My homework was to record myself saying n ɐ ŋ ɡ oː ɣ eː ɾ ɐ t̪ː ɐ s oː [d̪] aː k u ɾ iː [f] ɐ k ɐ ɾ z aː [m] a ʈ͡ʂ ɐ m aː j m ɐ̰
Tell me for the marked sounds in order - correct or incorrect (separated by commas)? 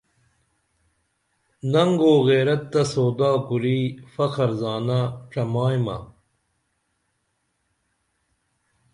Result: correct, correct, incorrect